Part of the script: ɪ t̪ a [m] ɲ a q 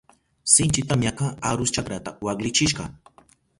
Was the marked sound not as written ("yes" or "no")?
no